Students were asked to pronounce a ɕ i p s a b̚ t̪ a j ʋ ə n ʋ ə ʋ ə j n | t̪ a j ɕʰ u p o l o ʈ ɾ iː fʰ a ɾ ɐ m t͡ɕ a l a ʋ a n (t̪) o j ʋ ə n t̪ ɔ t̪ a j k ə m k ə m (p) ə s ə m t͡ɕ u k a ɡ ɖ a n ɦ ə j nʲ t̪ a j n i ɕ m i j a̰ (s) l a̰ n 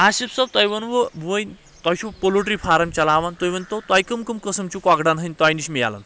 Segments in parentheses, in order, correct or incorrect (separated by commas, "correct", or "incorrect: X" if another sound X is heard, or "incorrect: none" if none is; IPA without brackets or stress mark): correct, incorrect: k, incorrect: none